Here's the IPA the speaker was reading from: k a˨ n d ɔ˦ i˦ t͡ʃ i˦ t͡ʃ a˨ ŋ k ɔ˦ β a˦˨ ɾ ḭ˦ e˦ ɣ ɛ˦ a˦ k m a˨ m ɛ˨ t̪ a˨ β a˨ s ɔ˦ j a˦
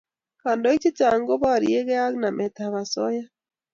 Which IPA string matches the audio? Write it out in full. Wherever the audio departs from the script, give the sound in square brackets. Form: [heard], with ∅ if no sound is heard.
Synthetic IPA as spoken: k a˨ n d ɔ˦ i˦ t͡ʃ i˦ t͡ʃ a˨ ŋ [ɡ] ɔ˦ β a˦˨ ɾ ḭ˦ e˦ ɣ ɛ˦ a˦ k [n] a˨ m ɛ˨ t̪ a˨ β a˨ s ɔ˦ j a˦